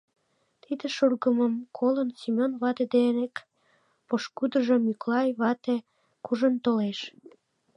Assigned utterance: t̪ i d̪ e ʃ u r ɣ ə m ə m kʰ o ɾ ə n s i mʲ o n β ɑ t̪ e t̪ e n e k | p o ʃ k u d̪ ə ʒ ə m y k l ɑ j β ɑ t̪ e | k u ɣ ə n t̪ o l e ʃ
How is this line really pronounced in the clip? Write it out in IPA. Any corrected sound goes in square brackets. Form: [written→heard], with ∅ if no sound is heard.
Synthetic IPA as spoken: t̪ i d̪ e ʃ u r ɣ ə m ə m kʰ o [ɾ→l] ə n s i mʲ o n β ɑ t̪ e [t̪→d̪] e n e k | p o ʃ k u d̪ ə ʒ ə m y k l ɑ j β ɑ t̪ e | k u [ɣ→ʒ] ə n t̪ o l e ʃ